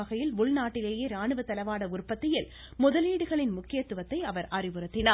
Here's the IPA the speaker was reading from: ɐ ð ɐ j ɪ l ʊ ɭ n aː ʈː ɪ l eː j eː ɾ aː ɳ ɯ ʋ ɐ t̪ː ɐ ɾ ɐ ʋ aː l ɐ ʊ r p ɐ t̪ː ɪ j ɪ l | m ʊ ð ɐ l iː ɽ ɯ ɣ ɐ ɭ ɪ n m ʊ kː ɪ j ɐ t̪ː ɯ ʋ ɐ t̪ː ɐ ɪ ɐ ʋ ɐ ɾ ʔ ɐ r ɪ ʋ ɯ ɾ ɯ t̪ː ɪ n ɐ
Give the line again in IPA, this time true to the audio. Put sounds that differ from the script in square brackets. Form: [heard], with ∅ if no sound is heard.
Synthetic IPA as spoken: ɐ [ɣ] ɐ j ɪ l ʊ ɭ n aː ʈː ɪ l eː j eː ɾ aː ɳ ɯ ʋ ɐ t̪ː ɐ [l] ɐ ʋ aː [ɽ] ɐ ʊ r p ɐ t̪ː ɪ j ɪ l | m ʊ ð ɐ l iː ɽ ɯ ɣ ɐ ɭ ɪ n m ʊ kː ɪ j ɐ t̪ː ɯ ʋ ɐ t̪ː ɐ ɪ ɐ ʋ ɐ ɾ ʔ ɐ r ɪ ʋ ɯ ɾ ɯ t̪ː ɪ n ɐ